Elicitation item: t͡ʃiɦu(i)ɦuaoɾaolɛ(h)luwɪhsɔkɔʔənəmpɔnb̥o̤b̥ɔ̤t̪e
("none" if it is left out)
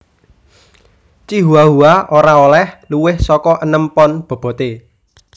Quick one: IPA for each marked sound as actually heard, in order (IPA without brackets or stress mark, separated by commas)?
a, h